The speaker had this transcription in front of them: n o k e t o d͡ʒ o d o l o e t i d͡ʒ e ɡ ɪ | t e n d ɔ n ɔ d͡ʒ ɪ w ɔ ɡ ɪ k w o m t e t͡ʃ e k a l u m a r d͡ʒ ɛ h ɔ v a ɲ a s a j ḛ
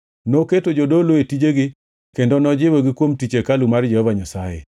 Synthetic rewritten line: n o k e t o d͡ʒ o d o l o e t i d͡ʒ e ɡ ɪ | k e n d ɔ n ɔ d͡ʒ ɪ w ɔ ɡ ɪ k w o m t i t͡ʃ e k a l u m a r d͡ʒ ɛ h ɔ v a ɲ a s a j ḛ